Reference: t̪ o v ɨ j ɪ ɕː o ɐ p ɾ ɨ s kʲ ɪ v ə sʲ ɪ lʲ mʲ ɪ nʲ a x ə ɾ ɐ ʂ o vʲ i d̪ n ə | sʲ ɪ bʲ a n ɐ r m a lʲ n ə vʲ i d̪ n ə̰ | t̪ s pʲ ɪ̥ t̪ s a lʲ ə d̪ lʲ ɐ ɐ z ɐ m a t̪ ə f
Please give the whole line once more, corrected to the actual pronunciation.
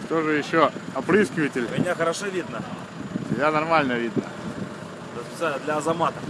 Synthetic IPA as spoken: t̪ o ʐ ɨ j ɪ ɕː o ɐ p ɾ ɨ s kʲ ɪ v ə tʲ ɪ lʲ mʲ ɪ nʲ a x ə ɾ ɐ ʂ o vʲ i d̪ n ə | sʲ ɪ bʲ a n ɐ r m a lʲ n ə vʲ i d̪ n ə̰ | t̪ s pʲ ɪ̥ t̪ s a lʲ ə d̪ lʲ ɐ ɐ z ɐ m a t̪ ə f

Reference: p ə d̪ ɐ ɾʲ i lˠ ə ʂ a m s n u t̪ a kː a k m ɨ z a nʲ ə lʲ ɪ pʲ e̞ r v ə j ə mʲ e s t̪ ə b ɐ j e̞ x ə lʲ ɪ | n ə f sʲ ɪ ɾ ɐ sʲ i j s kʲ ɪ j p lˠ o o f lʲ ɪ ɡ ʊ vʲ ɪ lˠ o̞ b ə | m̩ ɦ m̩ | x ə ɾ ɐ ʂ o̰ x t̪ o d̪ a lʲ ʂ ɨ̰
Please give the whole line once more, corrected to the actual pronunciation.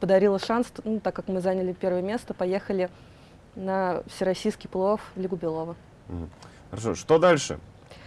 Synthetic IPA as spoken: p ə d̪ ɐ ɾʲ i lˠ ə ʂ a n s n u t̪ a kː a k m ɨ z a nʲ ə lʲ ɪ pʲ e̞ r v ə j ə mʲ e s t̪ ə p ɐ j e̞ x ə lʲ ɪ | n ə f sʲ ɪ ɾ ɐ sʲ i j s kʲ ɪ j p lˠ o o f lʲ ɪ ɡ ʊ bʲ ɪ lˠ o̞ v ə | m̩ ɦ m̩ | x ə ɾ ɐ ʂ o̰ ʂ t̪ o d̪ a lʲ ʂ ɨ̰

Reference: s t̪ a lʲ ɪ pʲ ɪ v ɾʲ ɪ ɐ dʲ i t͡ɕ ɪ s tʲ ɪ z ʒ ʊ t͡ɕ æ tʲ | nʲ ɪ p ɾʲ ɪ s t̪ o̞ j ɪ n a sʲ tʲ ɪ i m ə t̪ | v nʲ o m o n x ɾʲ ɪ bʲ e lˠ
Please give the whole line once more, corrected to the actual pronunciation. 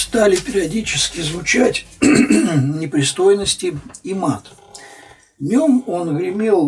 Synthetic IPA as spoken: s t̪ a lʲ ɪ pʲ ɪ ɾʲ ɪ ɐ dʲ i t͡ɕ ɪ s kʲ ɪ z v ʊ t͡ɕ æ tʲ | nʲ ɪ p ɾʲ ɪ s t̪ o̞ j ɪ n ə sʲ tʲ ɪ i m a t̪ | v nʲ o m o n ɣ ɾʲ ɪ mʲ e lˠ

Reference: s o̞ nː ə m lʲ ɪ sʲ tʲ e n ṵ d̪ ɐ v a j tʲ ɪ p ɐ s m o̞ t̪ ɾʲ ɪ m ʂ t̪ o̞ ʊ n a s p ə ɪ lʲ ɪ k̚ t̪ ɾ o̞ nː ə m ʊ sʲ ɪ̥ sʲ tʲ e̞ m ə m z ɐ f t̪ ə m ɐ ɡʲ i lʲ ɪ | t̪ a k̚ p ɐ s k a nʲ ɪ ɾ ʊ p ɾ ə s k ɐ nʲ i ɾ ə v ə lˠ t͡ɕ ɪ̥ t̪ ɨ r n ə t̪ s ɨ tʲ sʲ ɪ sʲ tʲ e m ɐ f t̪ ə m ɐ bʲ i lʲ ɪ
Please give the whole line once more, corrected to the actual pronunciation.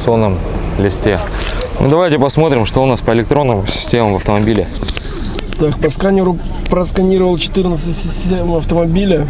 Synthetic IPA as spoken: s o̞ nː ə m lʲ ɪ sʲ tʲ e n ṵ d̪ ɐ v a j tʲ ɪ p ɐ s m o̞ t̪ ɾʲ ɪ m ʂ t̪ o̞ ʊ n a s p ə ɪ lʲ ɪ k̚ t̪ ɾ o̞ nː ə m ʊ sʲ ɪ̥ sʲ tʲ e̞ m ə m v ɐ f t̪ ə m ɐ bʲ i lʲ ɪ | t̪ a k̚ p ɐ s k a nʲ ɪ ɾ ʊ p ɾ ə s k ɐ nʲ i ɾ ə v ə lˠ t͡ɕ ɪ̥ t̪ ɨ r n ə t̪ s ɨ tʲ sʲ ɪ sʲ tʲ e m ɐ f t̪ ə m ɐ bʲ i lʲ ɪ

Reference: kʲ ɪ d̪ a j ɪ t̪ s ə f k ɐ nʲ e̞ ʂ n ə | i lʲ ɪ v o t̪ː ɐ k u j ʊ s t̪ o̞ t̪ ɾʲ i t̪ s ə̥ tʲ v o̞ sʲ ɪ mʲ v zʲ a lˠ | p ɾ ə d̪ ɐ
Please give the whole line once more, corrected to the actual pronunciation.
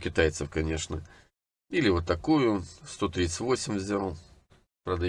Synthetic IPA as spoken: kʲ ɪ t̪ a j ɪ t̪ s ə f k ɐ nʲ e̞ ʂ n ə | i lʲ ɪ v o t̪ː ɐ k u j ʊ s t̪ o̞ t̪ ɾʲ i t̪ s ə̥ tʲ v o̞ sʲ ɪ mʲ v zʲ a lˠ | p ɾ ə d̪ ɐ

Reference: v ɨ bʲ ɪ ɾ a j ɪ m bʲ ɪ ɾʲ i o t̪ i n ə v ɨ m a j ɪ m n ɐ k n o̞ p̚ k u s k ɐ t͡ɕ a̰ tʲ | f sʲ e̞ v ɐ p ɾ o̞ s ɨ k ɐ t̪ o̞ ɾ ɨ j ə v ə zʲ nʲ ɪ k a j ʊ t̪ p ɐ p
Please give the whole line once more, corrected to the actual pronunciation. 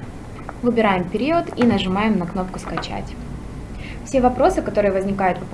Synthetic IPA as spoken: v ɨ bʲ ɪ ɾ a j ɪ m pʲ ɪ ɾʲ i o t̪ i n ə ʐ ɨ m a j ɪ m n ɐ k n o̞ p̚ k ʊ s k ɐ t͡ɕ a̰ tʲ | f sʲ e̞ v ɐ p ɾ o̞ s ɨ k ɐ t̪ o̞ ɾ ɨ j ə v ə zʲ nʲ ɪ k a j ʊ t̪ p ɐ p

